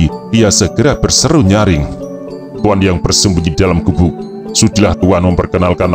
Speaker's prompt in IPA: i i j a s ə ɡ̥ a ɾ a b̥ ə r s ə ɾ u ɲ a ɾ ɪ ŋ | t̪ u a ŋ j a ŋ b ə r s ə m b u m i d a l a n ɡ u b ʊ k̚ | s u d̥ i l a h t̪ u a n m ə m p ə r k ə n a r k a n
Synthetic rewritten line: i i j a s ə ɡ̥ ə ɾ a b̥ ə r s ə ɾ u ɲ a ɾ ɪ ŋ | t̪ u a n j a ŋ b ə r s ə m b u ɲ i d a l a m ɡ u b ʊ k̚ | s u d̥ i l a h t̪ u a n m ə m p ə r k ə n a l k a n